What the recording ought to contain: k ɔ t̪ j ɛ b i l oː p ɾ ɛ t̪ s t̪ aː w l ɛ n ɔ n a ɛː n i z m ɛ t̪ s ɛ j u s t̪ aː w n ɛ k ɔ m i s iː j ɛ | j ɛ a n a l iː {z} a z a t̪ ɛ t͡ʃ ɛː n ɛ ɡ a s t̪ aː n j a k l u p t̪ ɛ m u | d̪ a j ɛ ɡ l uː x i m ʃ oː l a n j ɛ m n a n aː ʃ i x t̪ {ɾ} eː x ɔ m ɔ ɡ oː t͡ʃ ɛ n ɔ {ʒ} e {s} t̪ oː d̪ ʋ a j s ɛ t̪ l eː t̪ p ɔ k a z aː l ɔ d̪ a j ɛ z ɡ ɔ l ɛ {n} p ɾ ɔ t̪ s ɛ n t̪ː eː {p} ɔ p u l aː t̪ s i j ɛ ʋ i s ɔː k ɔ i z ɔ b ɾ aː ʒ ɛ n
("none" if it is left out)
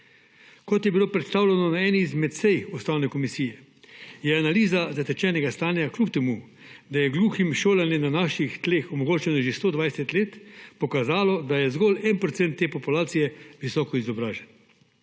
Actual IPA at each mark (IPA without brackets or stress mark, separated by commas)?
z, l, ʒ, s, n, p